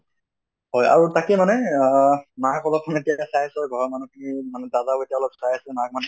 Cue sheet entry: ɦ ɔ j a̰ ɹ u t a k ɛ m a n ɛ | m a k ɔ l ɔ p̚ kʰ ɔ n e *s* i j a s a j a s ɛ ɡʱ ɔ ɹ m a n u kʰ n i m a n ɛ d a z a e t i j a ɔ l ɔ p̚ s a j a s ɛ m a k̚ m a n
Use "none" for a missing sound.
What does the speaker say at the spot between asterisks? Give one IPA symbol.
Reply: t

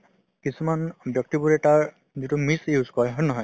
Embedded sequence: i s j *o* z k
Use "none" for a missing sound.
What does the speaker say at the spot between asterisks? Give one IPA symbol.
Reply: u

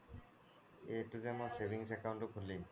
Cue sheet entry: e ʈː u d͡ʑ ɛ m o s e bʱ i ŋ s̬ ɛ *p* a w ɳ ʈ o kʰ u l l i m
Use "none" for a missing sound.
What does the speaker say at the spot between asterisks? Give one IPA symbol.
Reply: k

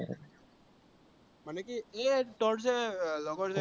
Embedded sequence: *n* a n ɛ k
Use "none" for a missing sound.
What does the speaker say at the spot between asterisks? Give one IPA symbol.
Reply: m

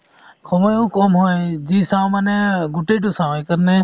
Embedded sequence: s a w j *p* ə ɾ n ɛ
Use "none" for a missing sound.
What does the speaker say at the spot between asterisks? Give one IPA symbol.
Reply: k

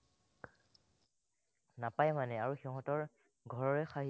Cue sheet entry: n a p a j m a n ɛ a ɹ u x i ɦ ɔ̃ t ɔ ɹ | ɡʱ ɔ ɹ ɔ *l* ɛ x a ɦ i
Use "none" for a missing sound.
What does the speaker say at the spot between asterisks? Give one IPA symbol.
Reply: ɹ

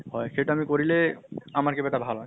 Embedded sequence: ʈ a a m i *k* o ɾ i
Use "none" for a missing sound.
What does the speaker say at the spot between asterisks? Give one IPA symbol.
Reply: k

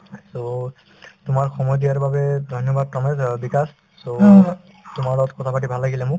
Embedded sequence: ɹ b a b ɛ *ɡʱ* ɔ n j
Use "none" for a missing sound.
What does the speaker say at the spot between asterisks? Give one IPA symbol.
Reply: dʱ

